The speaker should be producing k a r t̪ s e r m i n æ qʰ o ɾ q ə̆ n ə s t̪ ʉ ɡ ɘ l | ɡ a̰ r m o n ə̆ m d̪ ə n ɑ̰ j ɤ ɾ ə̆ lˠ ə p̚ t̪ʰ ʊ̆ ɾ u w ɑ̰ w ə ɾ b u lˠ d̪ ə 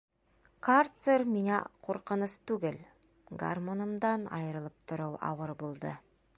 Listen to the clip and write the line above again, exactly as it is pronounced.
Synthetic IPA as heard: k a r t̪ s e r m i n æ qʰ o ɾ q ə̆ n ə s t̪ ʉ ɡ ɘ l | ɡ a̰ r m o n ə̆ m d̪ ɑ n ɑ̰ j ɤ ɾ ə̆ lˠ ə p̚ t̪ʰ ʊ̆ ɾ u w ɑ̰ w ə ɾ b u lˠ d̪ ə